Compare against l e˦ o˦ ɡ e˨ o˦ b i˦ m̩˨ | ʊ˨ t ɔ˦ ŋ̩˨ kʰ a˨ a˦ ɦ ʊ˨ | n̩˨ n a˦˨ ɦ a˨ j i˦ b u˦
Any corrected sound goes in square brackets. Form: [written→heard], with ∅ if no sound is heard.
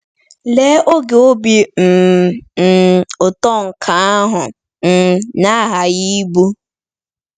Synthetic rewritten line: l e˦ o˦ ɡ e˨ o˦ b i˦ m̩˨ | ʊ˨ t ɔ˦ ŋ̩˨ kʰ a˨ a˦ ɦ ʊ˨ | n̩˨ n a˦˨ ɦ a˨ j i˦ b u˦